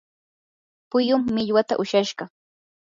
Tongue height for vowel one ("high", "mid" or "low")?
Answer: high